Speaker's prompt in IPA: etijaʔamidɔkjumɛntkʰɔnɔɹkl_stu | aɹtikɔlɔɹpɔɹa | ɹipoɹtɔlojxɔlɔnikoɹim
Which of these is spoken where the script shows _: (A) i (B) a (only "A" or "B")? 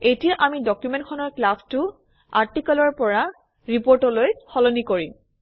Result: B